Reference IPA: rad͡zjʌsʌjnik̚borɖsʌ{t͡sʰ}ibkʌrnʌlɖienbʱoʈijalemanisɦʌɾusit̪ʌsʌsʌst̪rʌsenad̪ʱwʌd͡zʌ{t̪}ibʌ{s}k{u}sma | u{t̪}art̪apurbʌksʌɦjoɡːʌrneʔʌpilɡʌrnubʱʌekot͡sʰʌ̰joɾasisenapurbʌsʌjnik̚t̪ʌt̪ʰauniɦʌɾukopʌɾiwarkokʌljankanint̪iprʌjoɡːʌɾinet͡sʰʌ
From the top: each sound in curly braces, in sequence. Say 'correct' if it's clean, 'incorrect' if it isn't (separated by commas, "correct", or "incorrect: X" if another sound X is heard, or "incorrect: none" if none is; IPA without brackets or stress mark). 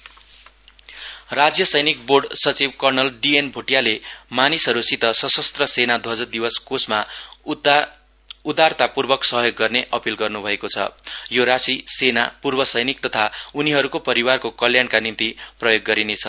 incorrect: t͡s, incorrect: d̪, correct, incorrect: o, incorrect: d̪